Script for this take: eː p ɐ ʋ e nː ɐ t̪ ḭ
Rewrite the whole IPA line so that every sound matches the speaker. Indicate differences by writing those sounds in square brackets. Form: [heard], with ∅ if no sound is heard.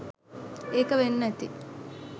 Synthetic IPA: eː [k] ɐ ʋ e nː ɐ t̪ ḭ